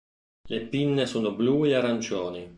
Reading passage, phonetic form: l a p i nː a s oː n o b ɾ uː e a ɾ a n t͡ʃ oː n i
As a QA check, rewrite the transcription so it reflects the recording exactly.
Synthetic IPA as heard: l e p i nː e s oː n o b l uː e a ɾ a n t͡ʃ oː n i